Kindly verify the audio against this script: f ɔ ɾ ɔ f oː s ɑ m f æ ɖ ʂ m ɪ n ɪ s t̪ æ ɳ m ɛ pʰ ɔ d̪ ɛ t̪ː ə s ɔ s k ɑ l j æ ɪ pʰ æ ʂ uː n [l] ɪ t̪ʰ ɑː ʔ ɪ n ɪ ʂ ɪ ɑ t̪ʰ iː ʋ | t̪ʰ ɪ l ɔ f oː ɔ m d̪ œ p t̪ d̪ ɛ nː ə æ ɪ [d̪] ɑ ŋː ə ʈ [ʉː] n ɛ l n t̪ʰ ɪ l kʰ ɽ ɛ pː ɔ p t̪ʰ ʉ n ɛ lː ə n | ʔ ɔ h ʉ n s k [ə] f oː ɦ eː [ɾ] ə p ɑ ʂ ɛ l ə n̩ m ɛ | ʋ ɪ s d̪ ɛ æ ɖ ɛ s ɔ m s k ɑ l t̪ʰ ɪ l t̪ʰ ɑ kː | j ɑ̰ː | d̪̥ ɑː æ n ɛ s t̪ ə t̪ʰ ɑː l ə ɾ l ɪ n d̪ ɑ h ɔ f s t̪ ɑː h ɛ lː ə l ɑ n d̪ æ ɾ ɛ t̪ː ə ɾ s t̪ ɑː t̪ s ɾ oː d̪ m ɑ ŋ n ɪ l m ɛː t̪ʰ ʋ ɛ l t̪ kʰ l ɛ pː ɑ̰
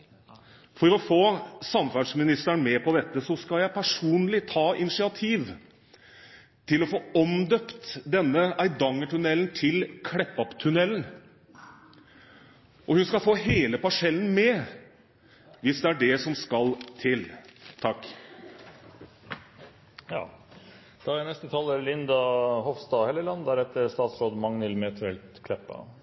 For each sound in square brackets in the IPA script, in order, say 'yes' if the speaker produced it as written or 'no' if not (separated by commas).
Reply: yes, yes, no, no, no